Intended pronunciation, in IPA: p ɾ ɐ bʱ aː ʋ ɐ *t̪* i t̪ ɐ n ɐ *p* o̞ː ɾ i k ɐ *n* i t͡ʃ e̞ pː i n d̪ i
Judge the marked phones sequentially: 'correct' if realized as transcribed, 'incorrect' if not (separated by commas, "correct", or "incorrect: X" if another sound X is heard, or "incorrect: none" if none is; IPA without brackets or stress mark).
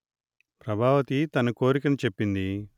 correct, incorrect: k, correct